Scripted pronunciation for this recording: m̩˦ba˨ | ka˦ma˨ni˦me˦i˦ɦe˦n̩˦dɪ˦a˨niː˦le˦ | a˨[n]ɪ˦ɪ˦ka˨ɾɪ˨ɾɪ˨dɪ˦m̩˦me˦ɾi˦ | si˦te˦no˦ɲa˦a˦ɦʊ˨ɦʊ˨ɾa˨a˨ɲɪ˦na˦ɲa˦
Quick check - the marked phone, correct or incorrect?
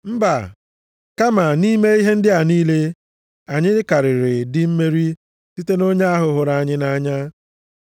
incorrect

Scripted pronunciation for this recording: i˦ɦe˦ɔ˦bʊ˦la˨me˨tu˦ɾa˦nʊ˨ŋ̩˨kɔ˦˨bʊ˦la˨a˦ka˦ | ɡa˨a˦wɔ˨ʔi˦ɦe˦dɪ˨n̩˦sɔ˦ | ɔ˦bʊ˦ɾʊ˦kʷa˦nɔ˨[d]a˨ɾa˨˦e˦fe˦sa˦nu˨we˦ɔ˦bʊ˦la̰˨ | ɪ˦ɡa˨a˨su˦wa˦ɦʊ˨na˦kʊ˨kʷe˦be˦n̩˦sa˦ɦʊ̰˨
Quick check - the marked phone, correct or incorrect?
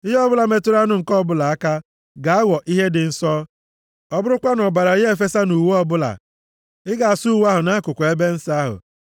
incorrect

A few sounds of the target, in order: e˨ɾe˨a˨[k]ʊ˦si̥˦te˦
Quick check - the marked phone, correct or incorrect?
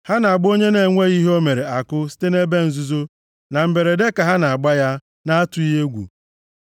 correct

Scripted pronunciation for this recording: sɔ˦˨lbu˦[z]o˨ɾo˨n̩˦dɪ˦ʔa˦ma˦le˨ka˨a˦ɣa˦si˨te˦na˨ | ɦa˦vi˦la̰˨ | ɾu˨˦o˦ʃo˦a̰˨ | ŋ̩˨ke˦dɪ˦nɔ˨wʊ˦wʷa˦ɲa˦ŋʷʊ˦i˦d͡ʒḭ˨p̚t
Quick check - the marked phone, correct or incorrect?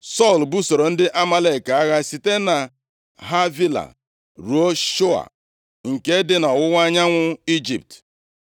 incorrect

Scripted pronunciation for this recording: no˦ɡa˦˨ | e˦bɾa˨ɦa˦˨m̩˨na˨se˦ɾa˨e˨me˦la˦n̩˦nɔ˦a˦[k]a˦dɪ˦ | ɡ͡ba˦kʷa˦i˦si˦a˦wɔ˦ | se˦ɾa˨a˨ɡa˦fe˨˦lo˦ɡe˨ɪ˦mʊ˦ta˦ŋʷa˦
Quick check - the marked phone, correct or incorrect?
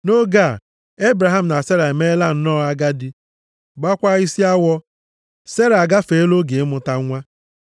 incorrect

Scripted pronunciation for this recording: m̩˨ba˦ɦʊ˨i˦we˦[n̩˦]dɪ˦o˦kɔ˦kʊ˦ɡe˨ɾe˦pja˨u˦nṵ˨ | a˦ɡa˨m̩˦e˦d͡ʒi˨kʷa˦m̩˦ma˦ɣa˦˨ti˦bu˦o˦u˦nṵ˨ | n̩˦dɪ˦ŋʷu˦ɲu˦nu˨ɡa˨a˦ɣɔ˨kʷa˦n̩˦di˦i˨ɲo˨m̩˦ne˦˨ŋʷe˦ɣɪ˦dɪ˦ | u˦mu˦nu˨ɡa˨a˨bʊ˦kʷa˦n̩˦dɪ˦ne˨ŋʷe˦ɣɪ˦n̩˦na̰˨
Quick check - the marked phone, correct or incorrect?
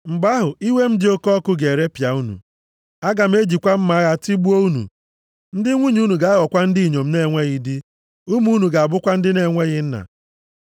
incorrect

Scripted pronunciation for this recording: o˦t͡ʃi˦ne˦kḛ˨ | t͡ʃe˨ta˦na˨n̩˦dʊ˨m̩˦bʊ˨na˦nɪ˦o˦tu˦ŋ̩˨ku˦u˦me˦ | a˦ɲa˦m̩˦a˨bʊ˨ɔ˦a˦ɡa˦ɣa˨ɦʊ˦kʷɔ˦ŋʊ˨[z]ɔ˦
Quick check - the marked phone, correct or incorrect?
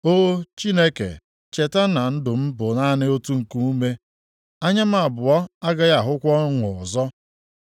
correct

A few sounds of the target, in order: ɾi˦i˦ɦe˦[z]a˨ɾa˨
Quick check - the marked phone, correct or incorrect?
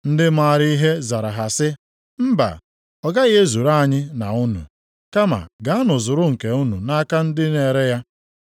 correct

